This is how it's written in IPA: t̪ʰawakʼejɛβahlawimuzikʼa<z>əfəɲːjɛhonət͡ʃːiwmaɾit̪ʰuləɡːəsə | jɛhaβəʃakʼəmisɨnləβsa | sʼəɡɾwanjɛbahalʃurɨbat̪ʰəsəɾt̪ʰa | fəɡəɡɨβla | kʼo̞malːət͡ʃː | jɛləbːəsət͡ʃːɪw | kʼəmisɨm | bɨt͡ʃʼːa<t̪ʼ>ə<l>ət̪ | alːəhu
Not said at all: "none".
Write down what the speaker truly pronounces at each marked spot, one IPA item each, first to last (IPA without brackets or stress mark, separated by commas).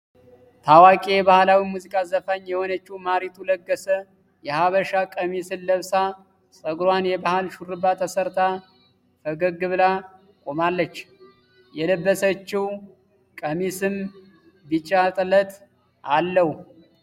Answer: z, t̪ʼ, l